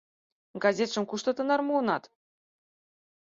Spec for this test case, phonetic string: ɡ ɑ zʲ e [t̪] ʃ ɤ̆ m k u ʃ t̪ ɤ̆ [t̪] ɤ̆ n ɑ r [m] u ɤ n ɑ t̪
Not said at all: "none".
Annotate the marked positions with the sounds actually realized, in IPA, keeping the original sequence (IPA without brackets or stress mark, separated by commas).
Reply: t̪, t̪, m